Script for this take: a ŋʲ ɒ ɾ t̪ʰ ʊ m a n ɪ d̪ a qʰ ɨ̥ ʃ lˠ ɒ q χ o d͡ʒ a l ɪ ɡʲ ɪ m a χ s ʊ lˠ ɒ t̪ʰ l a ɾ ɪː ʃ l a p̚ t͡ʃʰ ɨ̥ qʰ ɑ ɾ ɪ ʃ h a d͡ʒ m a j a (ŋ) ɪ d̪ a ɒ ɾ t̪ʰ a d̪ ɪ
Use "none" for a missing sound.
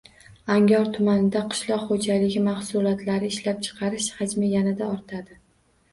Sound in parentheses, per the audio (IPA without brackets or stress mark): n